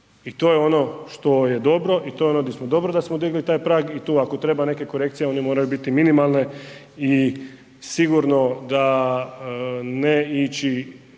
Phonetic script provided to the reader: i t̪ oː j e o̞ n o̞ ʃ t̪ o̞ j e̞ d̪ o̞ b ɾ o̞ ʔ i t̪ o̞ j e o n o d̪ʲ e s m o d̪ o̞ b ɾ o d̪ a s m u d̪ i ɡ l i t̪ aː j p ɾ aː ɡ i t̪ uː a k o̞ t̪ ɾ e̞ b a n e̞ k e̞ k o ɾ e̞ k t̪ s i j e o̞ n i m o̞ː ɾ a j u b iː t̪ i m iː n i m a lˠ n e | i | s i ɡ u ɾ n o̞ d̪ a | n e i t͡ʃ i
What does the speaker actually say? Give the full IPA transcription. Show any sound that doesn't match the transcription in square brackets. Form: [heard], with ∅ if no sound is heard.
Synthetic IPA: i t̪ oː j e o̞ n o̞ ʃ t̪ o̞ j e̞ d̪ o̞ b ɾ o̞ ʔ i t̪ o̞ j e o n o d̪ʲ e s m o d̪ o̞ b ɾ o d̪ a s m [o] d̪ i ɡ l i t̪ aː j p ɾ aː ɡ i t̪ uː a k o̞ t̪ ɾ e̞ b a n e̞ k e̞ k o ɾ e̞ k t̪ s i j e o̞ n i m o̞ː ɾ a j u b [i] t̪ i m [i] n i m a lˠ n e | i | s i ɡ u ɾ n o̞ d̪ a | n e i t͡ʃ i